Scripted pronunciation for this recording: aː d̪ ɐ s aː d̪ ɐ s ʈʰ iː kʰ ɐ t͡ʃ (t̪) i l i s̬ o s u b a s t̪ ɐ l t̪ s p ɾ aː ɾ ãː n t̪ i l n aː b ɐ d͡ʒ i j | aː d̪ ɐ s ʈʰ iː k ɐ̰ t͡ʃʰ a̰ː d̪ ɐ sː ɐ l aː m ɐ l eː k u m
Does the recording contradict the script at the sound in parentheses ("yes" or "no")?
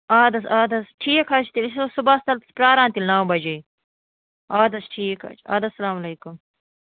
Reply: no